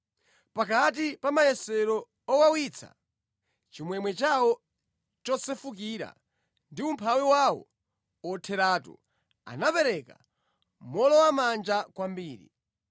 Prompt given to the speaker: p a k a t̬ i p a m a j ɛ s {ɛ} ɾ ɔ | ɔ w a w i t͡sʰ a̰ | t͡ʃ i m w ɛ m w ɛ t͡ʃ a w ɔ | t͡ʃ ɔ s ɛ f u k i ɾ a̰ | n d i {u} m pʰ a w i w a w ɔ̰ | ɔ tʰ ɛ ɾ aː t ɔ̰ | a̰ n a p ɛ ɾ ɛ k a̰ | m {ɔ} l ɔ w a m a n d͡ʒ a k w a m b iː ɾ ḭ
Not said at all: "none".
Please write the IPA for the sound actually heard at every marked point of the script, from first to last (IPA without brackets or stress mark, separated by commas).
ɛ, u, ɔ